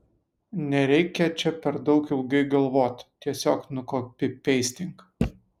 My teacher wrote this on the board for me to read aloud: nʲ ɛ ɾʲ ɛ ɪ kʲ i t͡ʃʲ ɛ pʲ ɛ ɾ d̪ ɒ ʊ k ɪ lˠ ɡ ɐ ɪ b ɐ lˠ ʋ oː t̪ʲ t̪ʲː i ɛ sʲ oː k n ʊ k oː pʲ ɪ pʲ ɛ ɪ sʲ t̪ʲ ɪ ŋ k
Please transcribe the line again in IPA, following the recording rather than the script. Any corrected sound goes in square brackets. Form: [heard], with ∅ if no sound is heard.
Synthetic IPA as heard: nʲ ɛ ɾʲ ɛ ɪ kʲ [ɛ] t͡ʃʲ ɛ pʲ ɛ ɾ d̪ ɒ ʊ k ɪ lˠ ɡ ɐ ɪ [ɡ] ɐ lˠ ʋ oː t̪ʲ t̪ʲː i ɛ sʲ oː k n ʊ k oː pʲ ɪ pʲ ɛ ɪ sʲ t̪ʲ ɪ ŋ k